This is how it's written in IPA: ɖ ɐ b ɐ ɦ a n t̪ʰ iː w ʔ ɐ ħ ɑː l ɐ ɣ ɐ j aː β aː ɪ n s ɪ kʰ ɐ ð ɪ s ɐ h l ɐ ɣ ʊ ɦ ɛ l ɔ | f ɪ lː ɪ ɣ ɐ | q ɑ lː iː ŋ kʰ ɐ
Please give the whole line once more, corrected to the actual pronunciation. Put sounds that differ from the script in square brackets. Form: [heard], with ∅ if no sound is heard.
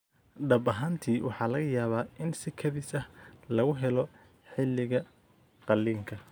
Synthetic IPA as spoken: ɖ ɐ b ɐ ɦ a n t̪ʰ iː w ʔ [ɑ] ħ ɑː l ɐ ɣ ɐ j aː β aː ɪ n s ɪ kʰ ɐ ð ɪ s ɐ h l ɐ ɣ ʊ ɦ ɛ l ɔ | [ħ] ɪ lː ɪ ɣ ɐ | q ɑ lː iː ŋ kʰ ɐ